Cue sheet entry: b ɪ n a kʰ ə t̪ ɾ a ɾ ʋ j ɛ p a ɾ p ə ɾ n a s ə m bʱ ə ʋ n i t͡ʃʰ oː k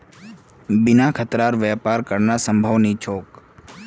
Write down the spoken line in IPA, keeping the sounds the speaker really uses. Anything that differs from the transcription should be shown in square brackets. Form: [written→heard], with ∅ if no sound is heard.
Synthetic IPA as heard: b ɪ n a kʰ ə t̪ ɾ a ɾ ʋ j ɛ p a ɾ [p→k] ə ɾ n a s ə m bʱ ə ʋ n i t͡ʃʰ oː k